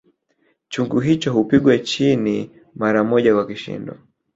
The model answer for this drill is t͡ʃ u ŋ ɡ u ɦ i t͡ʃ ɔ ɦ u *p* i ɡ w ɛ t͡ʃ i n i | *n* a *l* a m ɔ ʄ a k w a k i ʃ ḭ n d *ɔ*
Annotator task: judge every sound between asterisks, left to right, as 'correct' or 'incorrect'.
correct, incorrect: m, incorrect: ɾ, correct

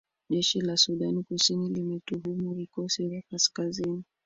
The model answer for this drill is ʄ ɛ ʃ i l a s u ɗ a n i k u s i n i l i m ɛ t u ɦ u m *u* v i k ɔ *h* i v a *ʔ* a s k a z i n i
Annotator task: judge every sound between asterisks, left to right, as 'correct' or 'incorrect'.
correct, incorrect: s, incorrect: k

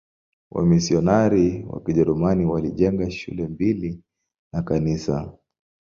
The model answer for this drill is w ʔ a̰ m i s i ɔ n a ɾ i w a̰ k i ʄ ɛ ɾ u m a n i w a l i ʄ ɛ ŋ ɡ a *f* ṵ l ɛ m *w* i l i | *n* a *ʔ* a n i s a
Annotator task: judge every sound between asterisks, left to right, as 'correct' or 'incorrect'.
incorrect: ʃ, incorrect: b, correct, incorrect: k

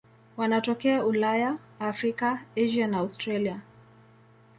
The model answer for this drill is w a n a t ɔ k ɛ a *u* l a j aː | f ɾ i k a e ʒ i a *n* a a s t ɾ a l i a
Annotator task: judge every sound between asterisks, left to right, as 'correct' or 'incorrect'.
correct, correct

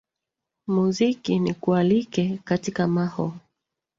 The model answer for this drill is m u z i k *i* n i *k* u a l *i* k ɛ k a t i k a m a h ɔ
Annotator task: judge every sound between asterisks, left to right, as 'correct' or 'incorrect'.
correct, correct, correct

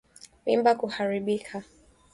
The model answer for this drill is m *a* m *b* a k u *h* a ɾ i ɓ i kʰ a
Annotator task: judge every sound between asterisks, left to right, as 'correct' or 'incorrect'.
incorrect: i, correct, correct

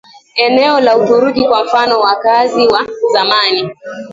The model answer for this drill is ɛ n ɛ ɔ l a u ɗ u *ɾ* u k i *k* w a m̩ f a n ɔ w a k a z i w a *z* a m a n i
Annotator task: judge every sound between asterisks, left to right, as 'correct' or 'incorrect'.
correct, correct, correct

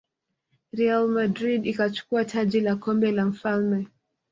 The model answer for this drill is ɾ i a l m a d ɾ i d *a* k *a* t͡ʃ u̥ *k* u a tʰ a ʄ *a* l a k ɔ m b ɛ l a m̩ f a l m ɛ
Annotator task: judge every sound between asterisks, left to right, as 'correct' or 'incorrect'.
incorrect: i, correct, correct, incorrect: i

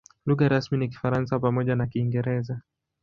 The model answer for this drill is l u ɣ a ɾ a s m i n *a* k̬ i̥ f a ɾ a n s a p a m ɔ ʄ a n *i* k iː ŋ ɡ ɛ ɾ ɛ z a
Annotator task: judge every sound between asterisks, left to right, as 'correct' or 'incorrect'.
incorrect: i, incorrect: a

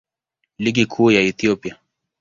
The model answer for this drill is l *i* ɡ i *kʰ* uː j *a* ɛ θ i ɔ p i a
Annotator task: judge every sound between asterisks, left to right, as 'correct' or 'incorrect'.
correct, correct, correct

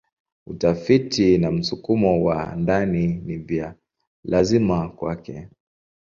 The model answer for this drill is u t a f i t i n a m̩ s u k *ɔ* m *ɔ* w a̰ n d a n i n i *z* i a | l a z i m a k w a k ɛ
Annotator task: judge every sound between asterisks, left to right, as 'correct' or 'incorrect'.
incorrect: u, correct, incorrect: v

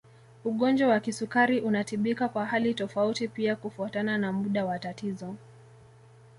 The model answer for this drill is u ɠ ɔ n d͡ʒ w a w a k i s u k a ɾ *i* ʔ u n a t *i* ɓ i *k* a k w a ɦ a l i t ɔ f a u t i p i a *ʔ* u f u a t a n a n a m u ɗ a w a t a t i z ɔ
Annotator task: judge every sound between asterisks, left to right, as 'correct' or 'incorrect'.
correct, correct, correct, incorrect: k

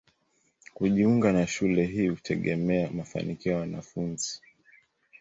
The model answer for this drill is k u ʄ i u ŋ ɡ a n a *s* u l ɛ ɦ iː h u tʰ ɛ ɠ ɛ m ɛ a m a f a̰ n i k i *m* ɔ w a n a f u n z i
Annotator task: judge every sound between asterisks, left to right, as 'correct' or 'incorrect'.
incorrect: ʃ, incorrect: none

